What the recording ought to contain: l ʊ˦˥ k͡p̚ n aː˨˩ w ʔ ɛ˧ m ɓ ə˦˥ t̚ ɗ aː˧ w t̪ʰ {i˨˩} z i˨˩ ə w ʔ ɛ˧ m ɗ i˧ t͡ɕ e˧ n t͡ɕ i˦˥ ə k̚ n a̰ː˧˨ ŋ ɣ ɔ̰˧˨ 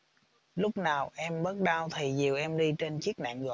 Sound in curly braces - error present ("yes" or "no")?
no